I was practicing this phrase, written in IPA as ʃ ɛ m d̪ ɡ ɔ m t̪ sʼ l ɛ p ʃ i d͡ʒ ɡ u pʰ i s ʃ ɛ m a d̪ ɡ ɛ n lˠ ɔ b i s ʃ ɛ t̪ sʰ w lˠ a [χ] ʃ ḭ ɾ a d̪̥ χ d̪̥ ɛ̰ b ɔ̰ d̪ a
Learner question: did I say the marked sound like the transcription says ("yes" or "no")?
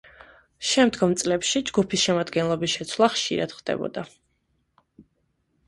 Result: yes